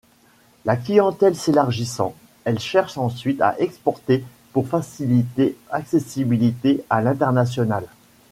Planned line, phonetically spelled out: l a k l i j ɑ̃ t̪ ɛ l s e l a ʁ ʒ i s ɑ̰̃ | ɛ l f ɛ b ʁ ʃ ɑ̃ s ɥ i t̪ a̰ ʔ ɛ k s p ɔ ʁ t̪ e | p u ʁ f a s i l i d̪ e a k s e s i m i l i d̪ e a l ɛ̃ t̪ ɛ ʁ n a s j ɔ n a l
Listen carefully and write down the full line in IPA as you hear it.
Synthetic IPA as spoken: l a k l i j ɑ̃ t̪ ɛ l s e l a ʁ ʒ i s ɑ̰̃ | ɛ l ʃ ɛ ʁ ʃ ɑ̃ s ɥ i t̪ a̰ ʔ ɛ k s p ɔ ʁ t̪ e | p u ʁ f a s i l i t̪ e a k s e s i b i l i t̪ e a l ɛ̃ t̪ ɛ ʁ n a s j ɔ n a l